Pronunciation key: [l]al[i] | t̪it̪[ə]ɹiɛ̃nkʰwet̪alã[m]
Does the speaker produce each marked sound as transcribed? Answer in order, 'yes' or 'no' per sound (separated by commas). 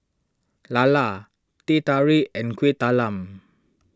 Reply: yes, no, no, yes